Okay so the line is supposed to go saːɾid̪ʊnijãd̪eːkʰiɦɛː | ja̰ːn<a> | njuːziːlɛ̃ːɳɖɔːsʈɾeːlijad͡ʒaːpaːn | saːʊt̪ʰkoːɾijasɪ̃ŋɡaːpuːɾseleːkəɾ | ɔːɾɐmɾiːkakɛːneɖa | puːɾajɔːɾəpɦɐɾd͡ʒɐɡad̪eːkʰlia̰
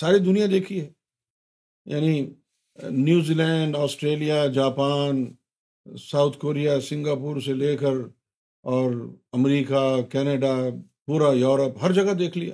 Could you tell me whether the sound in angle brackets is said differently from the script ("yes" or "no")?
yes